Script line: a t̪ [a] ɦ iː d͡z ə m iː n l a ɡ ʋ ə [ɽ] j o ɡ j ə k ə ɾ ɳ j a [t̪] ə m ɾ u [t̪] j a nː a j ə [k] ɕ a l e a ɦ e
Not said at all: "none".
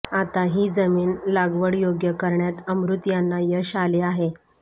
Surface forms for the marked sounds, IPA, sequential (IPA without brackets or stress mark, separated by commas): a, ɽ, t̪, t̪, none